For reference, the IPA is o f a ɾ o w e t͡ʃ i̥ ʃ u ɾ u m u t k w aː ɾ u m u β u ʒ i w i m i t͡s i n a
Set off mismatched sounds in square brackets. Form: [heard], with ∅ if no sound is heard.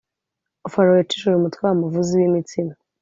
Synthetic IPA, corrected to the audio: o f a ɾ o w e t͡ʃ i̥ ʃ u ɾ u m u t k w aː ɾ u m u [v] u [z] i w i m i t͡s i n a